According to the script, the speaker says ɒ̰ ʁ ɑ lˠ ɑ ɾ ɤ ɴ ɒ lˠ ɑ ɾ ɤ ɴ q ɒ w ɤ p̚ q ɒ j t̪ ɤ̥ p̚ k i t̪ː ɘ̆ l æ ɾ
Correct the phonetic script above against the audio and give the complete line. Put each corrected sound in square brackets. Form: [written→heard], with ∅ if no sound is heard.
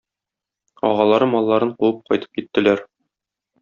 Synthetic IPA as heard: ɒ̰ ʁ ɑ lˠ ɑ ɾ ɤ [ɴ→m] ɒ [lˠ→lˠː] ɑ ɾ ɤ ɴ q [ɒ→u] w ɤ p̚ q ɒ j t̪ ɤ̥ p̚ k i t̪ː ɘ̆ l æ ɾ

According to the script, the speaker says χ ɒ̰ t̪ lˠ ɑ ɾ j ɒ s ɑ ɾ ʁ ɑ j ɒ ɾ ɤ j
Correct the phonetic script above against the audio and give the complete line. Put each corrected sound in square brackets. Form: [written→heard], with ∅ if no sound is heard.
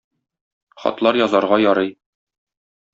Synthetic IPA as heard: χ ɒ̰ t̪ lˠ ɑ ɾ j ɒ [s→z] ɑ ɾ ʁ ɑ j ɒ ɾ ɤ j

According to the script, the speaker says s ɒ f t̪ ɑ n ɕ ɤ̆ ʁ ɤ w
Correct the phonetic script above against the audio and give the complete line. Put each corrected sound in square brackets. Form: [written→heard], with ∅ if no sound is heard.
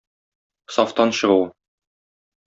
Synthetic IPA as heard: s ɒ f t̪ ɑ n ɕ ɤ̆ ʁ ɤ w

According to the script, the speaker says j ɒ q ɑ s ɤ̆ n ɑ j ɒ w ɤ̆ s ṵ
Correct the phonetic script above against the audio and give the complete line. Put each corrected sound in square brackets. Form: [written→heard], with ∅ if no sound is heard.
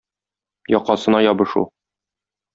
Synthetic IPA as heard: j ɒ q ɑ s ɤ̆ n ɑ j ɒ [w→b] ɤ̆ [s→ʃ] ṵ

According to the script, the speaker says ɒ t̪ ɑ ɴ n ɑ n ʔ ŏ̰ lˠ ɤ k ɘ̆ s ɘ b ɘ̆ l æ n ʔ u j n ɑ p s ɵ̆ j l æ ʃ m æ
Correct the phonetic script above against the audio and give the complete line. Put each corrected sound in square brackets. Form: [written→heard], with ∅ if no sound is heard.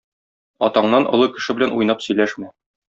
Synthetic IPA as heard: ɒ t̪ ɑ ɴ n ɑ n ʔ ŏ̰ lˠ ɤ k ɘ̆ [s→ʃ] ɘ b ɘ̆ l æ n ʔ u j n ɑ p s ɵ̆ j l æ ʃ m æ

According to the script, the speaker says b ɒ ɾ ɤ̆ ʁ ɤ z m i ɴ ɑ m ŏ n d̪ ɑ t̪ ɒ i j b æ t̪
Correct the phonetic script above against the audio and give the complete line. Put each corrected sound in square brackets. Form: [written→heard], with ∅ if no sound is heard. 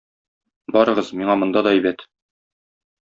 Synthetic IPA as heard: b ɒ ɾ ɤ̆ ʁ ɤ z m i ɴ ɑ m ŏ n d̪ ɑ [t̪→d̪] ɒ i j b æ t̪

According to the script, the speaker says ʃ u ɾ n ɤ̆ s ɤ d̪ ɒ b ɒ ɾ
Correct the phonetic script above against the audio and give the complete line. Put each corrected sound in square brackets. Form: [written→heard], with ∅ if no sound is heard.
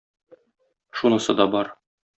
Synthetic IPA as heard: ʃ u [ɾ→∅] n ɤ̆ s ɤ d̪ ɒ b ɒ ɾ

